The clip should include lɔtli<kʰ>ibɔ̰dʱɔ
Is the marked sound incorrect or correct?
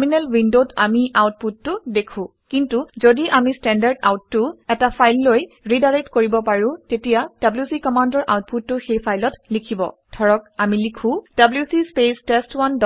correct